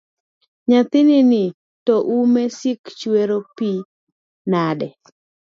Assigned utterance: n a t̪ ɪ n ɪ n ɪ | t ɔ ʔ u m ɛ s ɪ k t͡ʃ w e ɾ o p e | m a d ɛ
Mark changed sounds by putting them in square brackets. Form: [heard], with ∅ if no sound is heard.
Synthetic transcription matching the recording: [ɲ] a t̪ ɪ n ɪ n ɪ | t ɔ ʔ u m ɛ s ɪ k t͡ʃ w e ɾ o p [i] | [n] a d ɛ